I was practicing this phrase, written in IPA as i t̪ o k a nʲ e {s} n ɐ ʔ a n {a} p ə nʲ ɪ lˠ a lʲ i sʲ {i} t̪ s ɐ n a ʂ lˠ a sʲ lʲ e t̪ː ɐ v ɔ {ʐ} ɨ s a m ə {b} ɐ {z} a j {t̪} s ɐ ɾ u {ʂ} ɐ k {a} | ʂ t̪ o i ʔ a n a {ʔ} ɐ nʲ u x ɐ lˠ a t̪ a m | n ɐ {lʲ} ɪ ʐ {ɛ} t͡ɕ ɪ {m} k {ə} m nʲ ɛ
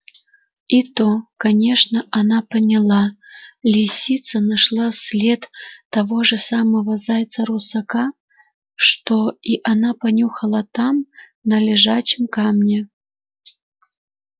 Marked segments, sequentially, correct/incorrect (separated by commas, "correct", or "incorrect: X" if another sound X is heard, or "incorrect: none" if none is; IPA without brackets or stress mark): incorrect: ʂ, correct, correct, correct, incorrect: v, correct, correct, incorrect: s, correct, incorrect: p, correct, incorrect: a, correct, incorrect: a